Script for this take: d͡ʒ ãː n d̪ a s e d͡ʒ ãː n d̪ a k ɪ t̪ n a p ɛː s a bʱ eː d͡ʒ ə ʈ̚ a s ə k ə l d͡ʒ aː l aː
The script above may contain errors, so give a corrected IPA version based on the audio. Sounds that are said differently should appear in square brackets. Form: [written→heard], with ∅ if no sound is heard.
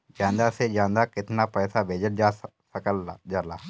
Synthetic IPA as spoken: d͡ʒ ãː n d̪ a s e d͡ʒ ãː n d̪ a k ɪ t̪ n a p ɛː s a bʱ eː d͡ʒ ə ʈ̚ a s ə k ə l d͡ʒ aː l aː

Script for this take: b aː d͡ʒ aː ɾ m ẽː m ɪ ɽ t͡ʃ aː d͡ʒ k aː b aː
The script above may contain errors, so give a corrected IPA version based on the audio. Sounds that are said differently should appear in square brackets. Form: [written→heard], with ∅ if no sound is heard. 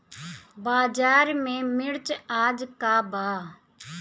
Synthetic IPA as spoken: b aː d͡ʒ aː ɾ m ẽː m ɪ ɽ t͡ʃ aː d͡ʒ k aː b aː

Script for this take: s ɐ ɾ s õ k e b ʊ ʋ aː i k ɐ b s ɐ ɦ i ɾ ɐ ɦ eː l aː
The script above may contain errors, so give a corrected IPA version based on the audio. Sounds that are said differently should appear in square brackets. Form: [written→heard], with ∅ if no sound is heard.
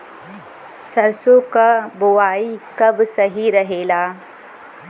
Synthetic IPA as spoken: s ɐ ɾ s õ k [e→a] b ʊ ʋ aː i k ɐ b s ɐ ɦ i ɾ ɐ ɦ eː l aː

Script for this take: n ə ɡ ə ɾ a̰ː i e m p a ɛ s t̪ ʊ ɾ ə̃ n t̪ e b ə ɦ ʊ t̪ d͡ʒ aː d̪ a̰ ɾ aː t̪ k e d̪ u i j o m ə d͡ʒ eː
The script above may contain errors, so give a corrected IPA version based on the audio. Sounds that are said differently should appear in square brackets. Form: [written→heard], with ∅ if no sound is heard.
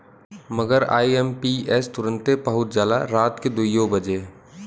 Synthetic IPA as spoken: [n→m] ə ɡ ə ɾ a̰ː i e m p [a→i] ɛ s t̪ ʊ ɾ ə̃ n t̪ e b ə ɦ ʊ t̪ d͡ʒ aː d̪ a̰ ɾ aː t̪ k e d̪ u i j o [m→b] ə d͡ʒ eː

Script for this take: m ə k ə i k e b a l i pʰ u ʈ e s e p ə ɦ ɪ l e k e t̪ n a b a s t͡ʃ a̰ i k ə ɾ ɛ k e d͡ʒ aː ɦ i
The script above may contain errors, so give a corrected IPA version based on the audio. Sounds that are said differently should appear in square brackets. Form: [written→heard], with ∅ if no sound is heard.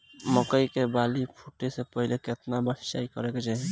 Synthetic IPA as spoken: m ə k ə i k e b a l i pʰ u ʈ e s e p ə ɦ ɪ l e k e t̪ n a b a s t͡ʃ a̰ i k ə ɾ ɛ k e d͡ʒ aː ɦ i

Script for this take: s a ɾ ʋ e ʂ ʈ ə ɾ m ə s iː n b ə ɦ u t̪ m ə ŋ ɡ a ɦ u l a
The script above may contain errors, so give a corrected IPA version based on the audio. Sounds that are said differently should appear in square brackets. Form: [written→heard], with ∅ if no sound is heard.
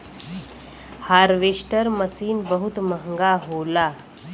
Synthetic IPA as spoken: [s→h] a ɾ ʋ e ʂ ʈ ə ɾ m ə s iː n b ə ɦ u t̪ m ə ŋ ɡ a ɦ [u→o] l a

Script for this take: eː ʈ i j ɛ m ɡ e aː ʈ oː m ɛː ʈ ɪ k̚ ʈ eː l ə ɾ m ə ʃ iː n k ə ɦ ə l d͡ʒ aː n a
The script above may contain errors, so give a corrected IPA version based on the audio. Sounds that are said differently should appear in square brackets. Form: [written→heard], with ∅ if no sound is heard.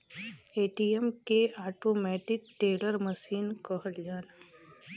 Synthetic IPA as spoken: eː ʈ i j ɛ m [ɡ→k] e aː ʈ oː m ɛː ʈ ɪ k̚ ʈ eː l ə ɾ m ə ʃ iː n k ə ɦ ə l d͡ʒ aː n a

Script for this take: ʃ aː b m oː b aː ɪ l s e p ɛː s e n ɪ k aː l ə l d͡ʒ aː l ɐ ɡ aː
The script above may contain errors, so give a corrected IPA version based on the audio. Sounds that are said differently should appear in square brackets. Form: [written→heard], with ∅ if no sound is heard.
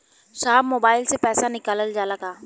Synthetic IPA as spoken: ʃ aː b m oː b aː ɪ l s e p ɛː s [e→a] n ɪ k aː l ə l d͡ʒ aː l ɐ ɡ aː

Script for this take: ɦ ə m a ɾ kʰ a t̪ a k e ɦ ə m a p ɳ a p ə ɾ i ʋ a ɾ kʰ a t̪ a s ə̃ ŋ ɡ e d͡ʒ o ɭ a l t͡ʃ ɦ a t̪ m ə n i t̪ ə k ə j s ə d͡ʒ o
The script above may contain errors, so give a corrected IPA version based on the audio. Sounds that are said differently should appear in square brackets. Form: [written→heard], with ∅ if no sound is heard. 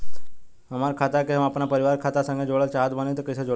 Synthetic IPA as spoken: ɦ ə m a ɾ kʰ a t̪ a k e ɦ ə m a p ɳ a p ə ɾ i ʋ a ɾ kʰ a t̪ a s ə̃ ŋ ɡ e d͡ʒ o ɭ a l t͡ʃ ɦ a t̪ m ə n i t̪ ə k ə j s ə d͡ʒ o

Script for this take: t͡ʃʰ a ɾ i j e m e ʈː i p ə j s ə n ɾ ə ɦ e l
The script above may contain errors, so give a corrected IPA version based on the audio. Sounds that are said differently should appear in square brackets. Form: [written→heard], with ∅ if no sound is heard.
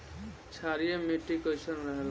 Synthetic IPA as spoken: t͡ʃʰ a ɾ i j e m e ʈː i [p→k] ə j s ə n ɾ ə ɦ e l

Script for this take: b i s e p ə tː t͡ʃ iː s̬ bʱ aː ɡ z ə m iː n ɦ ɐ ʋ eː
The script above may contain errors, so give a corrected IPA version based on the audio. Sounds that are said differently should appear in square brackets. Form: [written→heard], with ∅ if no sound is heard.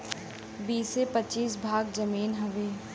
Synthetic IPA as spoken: b [i→iː] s e p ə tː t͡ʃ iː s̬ bʱ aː ɡ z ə m iː n ɦ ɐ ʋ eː

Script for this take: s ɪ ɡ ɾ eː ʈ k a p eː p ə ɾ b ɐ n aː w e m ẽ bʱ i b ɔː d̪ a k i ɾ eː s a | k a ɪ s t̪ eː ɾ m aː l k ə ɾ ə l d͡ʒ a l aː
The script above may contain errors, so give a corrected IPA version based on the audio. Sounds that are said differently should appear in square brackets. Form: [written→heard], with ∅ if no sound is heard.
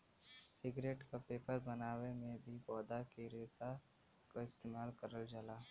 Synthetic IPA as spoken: s ɪ ɡ ɾ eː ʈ k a p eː p ə ɾ b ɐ n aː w e m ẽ bʱ i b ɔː d̪ a k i ɾ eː s a | k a ɪ s t̪ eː [ɾ→∅] m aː l k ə ɾ ə l d͡ʒ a l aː

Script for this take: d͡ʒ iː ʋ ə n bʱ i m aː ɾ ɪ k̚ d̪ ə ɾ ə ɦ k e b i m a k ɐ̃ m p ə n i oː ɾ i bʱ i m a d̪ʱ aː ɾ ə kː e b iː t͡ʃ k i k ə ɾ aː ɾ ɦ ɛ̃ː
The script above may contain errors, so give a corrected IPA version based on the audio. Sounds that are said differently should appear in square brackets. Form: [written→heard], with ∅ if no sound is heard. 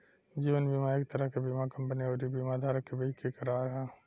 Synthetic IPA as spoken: d͡ʒ iː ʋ ə n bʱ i m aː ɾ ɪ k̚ [d̪→t̪] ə ɾ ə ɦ k e b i m a k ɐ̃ m p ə n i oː ɾ i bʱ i m a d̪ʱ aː ɾ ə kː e b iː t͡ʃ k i k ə ɾ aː ɾ ɦ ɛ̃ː

